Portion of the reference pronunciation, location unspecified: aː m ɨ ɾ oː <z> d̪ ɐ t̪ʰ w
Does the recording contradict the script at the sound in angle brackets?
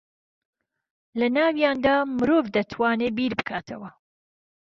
yes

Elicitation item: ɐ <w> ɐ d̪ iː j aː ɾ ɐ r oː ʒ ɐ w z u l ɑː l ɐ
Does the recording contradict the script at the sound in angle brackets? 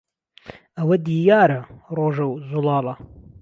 no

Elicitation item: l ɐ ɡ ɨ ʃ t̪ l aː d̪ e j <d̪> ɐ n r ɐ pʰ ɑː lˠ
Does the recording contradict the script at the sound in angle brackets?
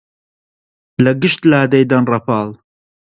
no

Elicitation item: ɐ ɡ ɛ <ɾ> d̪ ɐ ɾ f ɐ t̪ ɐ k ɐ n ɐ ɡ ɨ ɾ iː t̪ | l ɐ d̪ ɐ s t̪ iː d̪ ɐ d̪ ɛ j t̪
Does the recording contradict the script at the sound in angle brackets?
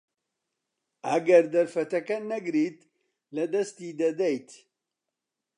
no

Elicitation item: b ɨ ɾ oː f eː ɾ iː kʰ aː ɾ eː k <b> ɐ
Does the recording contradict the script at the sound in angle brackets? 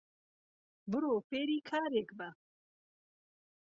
no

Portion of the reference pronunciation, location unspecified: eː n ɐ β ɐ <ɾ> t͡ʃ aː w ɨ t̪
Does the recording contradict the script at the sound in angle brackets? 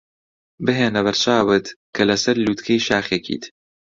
no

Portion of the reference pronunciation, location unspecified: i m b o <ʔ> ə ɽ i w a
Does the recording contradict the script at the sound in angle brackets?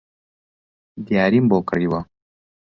yes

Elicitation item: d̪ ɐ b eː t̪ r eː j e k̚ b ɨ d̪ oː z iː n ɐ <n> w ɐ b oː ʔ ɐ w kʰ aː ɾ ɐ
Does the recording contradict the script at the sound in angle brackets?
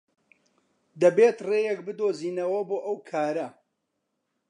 yes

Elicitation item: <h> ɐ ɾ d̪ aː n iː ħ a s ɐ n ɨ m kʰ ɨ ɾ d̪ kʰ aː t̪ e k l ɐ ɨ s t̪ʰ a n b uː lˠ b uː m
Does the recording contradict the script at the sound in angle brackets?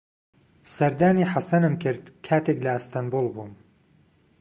yes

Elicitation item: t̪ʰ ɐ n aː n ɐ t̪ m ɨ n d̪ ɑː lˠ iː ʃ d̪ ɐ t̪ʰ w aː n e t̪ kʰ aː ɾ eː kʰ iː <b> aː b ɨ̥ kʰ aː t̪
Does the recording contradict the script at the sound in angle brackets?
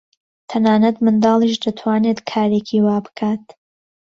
yes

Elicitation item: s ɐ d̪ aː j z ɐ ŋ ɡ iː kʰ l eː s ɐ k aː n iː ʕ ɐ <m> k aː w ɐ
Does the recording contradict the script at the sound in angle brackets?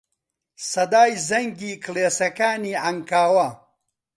yes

